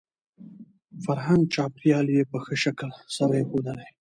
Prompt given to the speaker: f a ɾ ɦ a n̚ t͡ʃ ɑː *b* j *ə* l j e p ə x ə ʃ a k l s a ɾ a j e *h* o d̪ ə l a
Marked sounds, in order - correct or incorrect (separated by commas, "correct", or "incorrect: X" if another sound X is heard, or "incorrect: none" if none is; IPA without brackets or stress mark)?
incorrect: p, incorrect: ɑ, incorrect: x